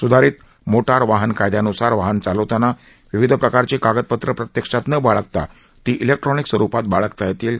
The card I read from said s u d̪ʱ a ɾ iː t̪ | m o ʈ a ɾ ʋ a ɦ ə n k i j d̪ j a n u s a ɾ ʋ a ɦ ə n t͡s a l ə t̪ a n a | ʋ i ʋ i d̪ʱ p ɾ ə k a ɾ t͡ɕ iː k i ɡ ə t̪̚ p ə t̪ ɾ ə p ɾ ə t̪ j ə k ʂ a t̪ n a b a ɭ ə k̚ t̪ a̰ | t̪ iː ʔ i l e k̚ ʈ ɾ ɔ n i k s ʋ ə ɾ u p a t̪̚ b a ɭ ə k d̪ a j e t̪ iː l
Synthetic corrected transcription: s u d̪ʱ a ɾ iː t̪ | m o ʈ a ɾ ʋ a ɦ ə n k a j d̪ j a n u s a ɾ ʋ a ɦ ə n t͡s a l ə t̪ a n a | ʋ i ʋ i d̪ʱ p ɾ ə k a ɾ t͡ɕ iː k a ɡ ə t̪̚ p ə t̪ ɾ ə p ɾ ə t̪ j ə k ʂ a t̪ n ə b a ɭ ə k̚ t̪ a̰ | t̪ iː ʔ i l e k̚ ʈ ɾ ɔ n i k s ʋ ə ɾ u p a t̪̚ b a ɭ ə k t̪ a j e t̪ iː l

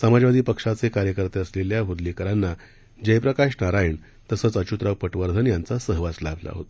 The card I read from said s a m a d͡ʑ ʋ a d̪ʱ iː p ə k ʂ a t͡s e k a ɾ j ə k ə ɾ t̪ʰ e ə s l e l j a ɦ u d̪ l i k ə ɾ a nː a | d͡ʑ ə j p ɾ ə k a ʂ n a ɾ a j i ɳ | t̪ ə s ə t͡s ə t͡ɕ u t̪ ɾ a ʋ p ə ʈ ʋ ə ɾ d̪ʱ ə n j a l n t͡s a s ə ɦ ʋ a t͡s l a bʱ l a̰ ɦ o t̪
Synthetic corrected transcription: s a m a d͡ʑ ʋ a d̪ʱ iː p ə k ʂ a t͡s e k a ɾ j ə k ə ɾ t̪ e ə s l e l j a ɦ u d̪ l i k ə ɾ a nː a | d͡ʑ ə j p ɾ ə k a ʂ n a ɾ a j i ɳ | t̪ ə s ə t͡s ə t͡ɕ u t̪ ɾ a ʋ p ə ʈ ʋ ə ɾ d̪ʱ ə n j a n t͡s a s ə ɦ ʋ a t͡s l a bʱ l a̰ ɦ o t̪

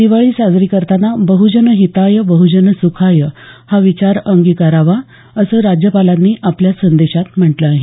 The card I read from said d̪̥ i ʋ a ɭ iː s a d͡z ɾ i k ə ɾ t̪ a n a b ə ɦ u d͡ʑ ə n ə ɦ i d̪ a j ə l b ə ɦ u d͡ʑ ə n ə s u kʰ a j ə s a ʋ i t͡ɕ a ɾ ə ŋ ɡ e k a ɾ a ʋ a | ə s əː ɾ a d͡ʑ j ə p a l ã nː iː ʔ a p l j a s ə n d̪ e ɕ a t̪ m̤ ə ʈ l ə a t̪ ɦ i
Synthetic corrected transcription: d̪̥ i ʋ a ɭ iː s a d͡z ɾ i k ə ɾ t̪ a n a b ə ɦ u d͡ʑ ə n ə ɦ i t̪ a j ə b ə ɦ u d͡ʑ ə n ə s u kʰ a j ə h a ʋ i t͡ɕ a ɾ ə ŋ ɡ i k a ɾ a ʋ a | ə s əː ɾ a d͡ʑ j ə p a l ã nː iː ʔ a p l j a s ə n d̪ e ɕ a t̪ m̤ ə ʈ l ə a ɦ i

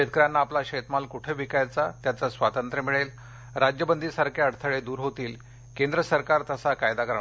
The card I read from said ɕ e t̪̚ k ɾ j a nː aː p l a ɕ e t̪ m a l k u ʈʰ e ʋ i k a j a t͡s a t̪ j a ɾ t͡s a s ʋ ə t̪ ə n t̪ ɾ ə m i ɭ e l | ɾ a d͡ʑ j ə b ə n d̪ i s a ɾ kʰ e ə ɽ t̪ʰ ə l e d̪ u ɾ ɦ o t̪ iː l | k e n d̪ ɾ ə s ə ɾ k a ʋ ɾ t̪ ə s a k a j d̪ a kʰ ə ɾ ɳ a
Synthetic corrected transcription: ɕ e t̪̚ k ɾ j a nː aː p l a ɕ e t̪ m a l k u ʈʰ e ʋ i k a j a t͡s a t̪ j a t͡s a s ʋ a t̪ ə n t̪ ɾ ə m i ɭ e l | ɾ a d͡ʑ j ə b ə n d̪ i s a ɾ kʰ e ə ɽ t̪ʰ ə ɭ e d̪ uː ɾ ɦ o t̪ iː l | k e n d̪ ɾ ə s ə ɾ k a ɾ t̪ ə s a k a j d̪ a k ə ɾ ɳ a

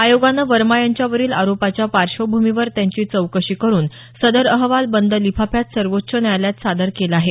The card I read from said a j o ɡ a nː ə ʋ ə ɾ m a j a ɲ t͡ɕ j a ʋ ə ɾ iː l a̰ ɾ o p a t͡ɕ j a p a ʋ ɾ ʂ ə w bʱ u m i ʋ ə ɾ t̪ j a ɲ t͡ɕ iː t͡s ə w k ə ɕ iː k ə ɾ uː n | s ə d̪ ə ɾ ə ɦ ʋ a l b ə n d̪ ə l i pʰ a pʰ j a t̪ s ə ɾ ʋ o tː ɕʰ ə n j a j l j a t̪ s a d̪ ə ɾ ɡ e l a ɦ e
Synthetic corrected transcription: a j o ɡ a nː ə ʋ ə ɾ m a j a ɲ t͡ɕ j a ʋ ə ɾ iː l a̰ ɾ o p a t͡ɕ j a p a ɾ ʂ ə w bʱ u m i ʋ ə ɾ t̪ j a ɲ t͡ɕ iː t͡s ə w k ə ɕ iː k ə ɾ uː n | s ə d̪ ə ɾ ə ɦ ʋ a l b ə n d̪ ə l i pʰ a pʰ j a t̪ s ə ɾ ʋ o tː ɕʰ ə n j a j l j a t̪ s a d̪ ə ɾ k e l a ɦ e

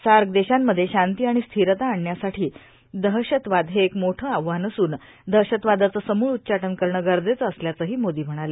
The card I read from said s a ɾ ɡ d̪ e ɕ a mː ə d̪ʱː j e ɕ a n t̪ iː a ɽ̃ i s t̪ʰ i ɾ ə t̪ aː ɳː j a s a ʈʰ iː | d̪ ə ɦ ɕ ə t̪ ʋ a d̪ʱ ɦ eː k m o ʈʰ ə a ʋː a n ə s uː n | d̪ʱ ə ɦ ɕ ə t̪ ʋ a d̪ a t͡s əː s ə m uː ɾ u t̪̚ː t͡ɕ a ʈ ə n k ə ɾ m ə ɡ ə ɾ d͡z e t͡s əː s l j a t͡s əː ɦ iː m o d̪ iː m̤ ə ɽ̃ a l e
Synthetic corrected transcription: s a ɾ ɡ d̪ e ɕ a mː ə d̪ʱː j e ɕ a n t̪ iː a ɽ̃ i s t̪ʰ i ɾ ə t̪ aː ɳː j a s a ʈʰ iː | d̪ ə ɦ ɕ ə t̪ ʋ a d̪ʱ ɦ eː k m o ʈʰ ə a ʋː a n ə s uː n | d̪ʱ ə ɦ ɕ ə t̪ ʋ a d̪ a t͡s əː s ə m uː ɭ u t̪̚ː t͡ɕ a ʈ ə n k ə ɾ ɳ ə ɡ ə ɾ d͡z e t͡s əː s l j a t͡s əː ɦ iː m o d̪ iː m̤ ə ɽ̃ a l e

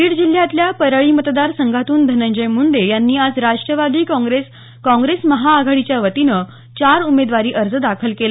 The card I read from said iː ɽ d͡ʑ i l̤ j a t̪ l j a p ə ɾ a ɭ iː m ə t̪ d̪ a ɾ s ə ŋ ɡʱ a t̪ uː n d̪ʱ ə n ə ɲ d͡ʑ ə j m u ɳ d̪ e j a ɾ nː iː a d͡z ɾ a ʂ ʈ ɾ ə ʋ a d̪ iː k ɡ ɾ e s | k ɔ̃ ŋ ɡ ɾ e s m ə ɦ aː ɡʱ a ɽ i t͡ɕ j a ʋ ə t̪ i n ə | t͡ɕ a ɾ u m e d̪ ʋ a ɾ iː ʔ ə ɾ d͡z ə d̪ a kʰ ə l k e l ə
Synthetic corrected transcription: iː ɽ d͡ʑ i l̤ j a t̪ l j a p ə ɾ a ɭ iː m ə t̪ d̪ a ɾ s ə ŋ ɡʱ a t̪ uː n d̪ʱ ə n ə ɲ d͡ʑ ə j m u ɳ d̪ e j a nː iː a d͡z ɾ a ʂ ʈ ɾ ə ʋ a d̪ iː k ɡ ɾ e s | k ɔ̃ ŋ ɡ ɾ e s m ə ɦ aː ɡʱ a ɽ i t͡ɕ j a ʋ ə t̪ i n ə | t͡ɕ a ɾ u m e d̪ ʋ a ɾ iː ʔ ə ɾ d͡z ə d̪ a kʰ ə l k e l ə

